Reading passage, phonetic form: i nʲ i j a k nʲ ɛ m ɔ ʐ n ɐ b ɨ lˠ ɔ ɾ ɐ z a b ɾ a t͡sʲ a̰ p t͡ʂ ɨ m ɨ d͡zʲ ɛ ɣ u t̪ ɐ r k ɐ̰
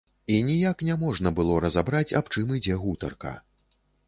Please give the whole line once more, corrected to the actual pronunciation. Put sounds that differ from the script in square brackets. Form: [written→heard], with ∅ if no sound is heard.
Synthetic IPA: i nʲ i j a k nʲ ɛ m ɔ ʐ n ɐ b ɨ lˠ ɔ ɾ ɐ z a b ɾ a t͡sʲ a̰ p t͡ʂ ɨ m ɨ d͡zʲ ɛ ɣ u t̪ ɐ r k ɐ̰